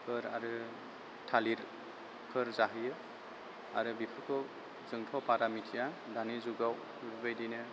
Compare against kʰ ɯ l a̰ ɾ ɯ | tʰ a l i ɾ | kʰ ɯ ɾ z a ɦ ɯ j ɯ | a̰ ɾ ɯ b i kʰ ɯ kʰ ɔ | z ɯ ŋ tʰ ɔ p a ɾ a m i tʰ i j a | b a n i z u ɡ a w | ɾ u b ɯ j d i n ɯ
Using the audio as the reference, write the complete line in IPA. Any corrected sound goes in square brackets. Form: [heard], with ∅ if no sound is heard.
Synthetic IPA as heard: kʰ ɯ [ɾ] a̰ ɾ ɯ | tʰ a l i ɾ | kʰ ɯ ɾ z a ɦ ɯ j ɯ | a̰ ɾ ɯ b i [pʰ] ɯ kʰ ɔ | z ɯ ŋ tʰ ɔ p a ɾ a m i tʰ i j a | [d] a n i z u ɡ a w | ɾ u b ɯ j d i n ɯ